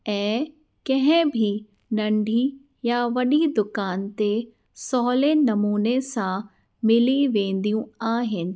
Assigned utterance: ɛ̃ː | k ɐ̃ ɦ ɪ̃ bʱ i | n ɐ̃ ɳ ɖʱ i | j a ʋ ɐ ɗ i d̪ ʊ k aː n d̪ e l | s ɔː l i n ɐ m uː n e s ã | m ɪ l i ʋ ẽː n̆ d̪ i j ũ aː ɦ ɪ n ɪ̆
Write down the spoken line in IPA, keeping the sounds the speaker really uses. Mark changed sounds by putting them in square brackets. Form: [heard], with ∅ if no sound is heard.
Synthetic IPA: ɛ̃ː | k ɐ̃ ɦ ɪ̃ bʱ i | n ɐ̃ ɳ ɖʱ i | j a ʋ ɐ ɗ i d̪ ʊ k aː n [t̪] e [∅] | s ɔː l [e] n ɐ m uː n e s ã | m ɪ l i ʋ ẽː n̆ d̪ i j ũ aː ɦ ɪ n ɪ̆